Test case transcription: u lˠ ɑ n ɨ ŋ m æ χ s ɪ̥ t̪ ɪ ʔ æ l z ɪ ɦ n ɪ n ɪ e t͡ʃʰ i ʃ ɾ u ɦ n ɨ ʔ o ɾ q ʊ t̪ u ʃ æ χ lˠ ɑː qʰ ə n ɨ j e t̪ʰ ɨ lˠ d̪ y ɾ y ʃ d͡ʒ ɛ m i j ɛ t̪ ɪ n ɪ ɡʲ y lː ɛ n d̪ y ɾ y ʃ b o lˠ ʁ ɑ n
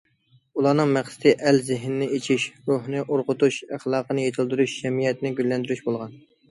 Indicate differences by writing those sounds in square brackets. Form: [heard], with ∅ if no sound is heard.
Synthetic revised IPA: u lˠ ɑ n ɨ ŋ m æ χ s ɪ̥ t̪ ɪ ʔ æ l z ɪ ɦ n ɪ n ɪ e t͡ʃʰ i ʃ ɾ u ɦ n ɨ ʔ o ɾ q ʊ t̪ u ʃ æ χ lˠ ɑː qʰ ə n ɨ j e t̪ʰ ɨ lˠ d̪ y ɾ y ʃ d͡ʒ ɛ m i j ɛ t̪ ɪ n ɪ ɡʲ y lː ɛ n d̪ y ɾ y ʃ b o lˠ ʁ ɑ n